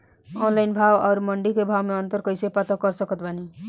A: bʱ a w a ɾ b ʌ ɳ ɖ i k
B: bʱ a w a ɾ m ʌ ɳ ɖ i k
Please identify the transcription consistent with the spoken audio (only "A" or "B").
B